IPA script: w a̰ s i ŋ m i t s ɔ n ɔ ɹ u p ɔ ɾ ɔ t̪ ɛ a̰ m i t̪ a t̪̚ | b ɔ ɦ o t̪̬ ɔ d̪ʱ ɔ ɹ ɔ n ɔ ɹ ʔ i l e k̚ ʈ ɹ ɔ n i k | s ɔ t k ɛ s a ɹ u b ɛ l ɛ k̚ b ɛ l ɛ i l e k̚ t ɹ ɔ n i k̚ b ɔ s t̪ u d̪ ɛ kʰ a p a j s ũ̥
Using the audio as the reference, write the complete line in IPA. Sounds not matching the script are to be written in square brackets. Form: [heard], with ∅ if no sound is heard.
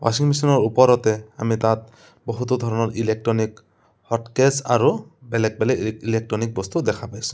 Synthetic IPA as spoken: w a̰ s i ŋ m i [∅] s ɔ n ɔ ɹ u p ɔ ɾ ɔ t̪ ɛ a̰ m i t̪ a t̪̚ | b ɔ ɦ [u] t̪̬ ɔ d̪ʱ ɔ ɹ ɔ n ɔ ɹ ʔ i l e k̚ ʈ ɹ ɔ n i k | [h] ɔ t k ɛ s a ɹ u b ɛ l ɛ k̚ b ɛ l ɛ i l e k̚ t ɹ ɔ n i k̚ b ɔ s t̪ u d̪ ɛ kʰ a p a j s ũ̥